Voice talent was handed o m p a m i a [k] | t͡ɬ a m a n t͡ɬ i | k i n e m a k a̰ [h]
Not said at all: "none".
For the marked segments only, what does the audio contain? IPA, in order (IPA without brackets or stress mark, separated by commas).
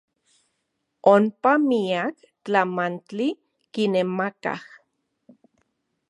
k, h